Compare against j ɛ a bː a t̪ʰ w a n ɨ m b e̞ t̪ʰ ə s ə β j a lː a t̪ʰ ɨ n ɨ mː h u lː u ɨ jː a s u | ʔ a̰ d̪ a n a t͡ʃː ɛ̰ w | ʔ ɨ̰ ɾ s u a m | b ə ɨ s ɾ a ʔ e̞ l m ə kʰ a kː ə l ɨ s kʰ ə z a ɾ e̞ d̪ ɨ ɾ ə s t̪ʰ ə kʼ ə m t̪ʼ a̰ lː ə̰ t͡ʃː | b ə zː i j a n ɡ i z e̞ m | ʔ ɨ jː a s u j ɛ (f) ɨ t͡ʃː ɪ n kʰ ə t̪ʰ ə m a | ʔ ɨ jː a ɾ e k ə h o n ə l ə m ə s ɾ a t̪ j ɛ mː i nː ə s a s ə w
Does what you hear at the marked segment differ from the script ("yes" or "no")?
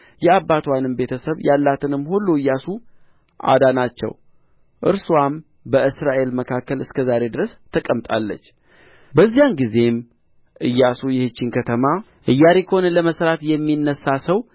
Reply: yes